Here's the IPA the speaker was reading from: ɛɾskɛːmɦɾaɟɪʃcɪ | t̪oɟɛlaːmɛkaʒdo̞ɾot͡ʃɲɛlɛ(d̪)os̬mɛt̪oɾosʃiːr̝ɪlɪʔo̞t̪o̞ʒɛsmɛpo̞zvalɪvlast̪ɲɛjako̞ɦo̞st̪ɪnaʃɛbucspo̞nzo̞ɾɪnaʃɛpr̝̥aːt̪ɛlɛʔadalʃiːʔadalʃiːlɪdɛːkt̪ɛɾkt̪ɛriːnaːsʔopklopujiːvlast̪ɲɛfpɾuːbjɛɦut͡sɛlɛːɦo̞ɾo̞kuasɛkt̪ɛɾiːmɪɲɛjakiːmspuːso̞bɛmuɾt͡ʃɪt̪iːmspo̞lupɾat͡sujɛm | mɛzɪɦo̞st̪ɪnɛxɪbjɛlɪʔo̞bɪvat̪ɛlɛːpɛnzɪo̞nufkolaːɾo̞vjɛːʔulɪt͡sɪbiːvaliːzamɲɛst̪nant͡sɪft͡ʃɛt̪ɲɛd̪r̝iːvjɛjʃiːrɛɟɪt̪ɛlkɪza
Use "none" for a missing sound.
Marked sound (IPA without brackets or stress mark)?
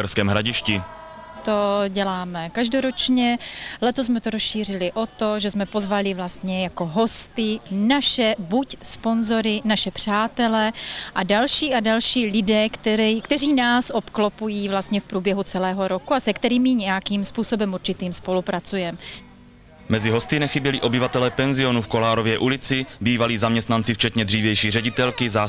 t̪